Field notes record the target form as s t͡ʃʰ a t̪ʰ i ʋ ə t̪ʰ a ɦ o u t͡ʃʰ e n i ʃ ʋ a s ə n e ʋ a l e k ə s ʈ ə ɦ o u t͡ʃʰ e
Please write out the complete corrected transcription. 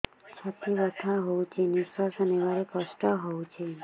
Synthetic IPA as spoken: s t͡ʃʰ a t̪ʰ i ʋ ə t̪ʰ a ɦ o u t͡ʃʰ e n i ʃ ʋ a s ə n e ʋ a ɾ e k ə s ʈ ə ɦ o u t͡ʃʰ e